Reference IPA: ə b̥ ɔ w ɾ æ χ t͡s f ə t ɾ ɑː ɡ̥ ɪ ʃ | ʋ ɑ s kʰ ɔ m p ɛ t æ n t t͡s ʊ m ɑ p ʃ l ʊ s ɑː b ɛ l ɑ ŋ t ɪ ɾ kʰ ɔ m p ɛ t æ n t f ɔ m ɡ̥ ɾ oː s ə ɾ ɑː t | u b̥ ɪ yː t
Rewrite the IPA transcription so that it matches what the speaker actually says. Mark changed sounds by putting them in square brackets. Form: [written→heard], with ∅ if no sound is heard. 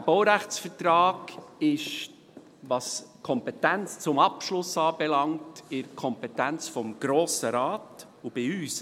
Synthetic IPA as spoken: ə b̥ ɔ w ɾ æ χ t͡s f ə t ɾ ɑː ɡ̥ ɪ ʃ | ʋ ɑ s kʰ ɔ m p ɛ t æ n [t→t͡s] t͡s ʊ m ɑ p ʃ l ʊ s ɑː b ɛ l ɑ ŋ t ɪ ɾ kʰ ɔ m p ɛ t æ n [t→t͡s] f ɔ m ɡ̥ ɾ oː s ə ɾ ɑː t | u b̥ ɪ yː [t→s]

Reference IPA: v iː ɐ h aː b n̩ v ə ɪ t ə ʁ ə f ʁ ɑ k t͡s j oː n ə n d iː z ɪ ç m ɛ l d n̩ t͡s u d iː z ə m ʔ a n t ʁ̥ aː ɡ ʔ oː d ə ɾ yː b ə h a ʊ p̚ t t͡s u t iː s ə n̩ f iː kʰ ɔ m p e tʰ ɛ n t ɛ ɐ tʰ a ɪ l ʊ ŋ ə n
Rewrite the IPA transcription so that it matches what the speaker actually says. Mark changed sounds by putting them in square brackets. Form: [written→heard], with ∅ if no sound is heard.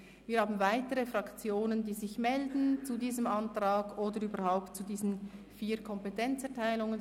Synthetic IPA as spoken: v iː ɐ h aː b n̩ v [ə→a] ɪ t ə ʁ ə f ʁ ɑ k t͡s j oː n ə n d iː z ɪ ç m ɛ l d n̩ t͡s u d iː z ə m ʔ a n t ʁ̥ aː ɡ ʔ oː d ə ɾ yː b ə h a ʊ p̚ t t͡s u [t→d] iː [s→z] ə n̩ f iː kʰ ɔ m p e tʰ ɛ n [t→t͡s] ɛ ɐ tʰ a ɪ l ʊ ŋ ə n

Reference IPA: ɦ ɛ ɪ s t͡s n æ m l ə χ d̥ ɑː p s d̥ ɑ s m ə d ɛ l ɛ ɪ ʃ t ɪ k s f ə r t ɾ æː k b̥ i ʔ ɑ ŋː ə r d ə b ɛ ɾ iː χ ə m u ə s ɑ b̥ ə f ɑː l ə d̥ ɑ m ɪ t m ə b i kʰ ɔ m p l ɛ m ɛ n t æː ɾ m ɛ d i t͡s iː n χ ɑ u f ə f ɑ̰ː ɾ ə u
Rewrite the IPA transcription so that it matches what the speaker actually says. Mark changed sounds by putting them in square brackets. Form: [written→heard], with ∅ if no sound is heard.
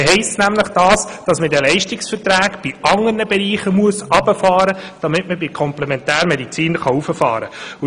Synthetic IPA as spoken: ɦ ɛ ɪ s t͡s n æ m l ə χ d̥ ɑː [p→∅] s d̥ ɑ s m ə d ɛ l ɛ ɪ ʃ t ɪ k s f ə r t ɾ æː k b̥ i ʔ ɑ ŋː ə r [d→n] ə b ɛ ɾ iː χ ə m u ə s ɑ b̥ ə f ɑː [l→ɾ] ə d̥ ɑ m ɪ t m ə b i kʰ ɔ m p l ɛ m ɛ n t æː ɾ m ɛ d i t͡s iː n χ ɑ u f ə f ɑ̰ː ɾ ə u

